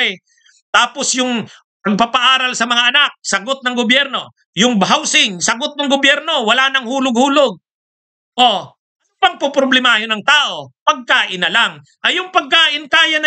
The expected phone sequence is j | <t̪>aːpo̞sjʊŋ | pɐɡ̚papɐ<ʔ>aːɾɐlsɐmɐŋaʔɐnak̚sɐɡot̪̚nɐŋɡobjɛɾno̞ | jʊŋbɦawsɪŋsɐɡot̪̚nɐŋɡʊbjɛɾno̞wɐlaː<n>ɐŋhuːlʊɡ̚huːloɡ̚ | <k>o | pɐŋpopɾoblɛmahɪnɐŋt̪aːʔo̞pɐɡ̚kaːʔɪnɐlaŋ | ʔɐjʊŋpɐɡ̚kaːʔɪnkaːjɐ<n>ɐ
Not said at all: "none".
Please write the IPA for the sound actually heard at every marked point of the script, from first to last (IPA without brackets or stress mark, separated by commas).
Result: t̪, ʔ, n, ʔ, n